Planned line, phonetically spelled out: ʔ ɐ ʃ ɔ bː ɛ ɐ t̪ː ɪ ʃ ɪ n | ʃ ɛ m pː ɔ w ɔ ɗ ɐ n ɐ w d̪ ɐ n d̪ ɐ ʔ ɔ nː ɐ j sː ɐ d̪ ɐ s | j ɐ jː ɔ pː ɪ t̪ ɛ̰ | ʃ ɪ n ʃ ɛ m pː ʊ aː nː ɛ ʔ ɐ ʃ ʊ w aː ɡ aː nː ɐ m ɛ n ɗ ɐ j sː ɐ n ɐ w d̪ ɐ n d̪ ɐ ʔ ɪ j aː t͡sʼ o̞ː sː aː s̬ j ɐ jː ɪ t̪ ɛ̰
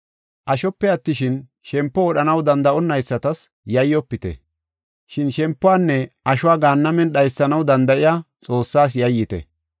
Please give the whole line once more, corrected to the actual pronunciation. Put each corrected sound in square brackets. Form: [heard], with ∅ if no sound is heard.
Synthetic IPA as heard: ʔ ɐ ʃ ɔ [pː] ɛ ɐ t̪ː ɪ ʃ ɪ n | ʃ ɛ m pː ɔ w ɔ ɗ ɐ n ɐ w d̪ ɐ n d̪ ɐ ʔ ɔ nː ɐ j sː ɐ [t̪] ɐ s | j ɐ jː ɔ pː ɪ t̪ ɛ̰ | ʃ ɪ n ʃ ɛ m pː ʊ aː nː ɛ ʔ ɐ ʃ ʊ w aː ɡ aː nː ɐ m ɛ n ɗ ɐ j sː ɐ n ɐ w d̪ ɐ n d̪ ɐ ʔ ɪ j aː t͡sʼ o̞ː sː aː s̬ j ɐ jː ɪ t̪ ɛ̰